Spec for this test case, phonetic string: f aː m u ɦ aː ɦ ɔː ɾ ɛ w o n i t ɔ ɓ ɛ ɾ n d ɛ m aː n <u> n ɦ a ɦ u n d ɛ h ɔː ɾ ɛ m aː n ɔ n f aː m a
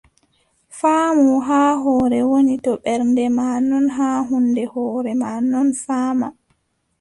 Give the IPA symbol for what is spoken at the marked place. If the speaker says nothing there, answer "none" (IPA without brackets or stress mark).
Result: ɔ